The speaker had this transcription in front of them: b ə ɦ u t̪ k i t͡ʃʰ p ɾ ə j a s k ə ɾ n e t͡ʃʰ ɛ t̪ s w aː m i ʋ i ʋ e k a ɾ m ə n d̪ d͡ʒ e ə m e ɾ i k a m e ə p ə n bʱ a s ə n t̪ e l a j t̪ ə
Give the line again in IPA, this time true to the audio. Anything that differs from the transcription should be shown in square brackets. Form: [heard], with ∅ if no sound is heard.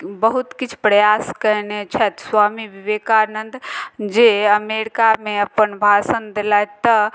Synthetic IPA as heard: b ə ɦ u t̪ k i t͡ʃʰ p ɾ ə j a s k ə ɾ n e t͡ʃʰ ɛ t̪ s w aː m i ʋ i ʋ e k a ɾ [n] ə n d̪ d͡ʒ e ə m e ɾ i k a m e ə p ə n bʱ a s ə n [d̪] e l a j t̪ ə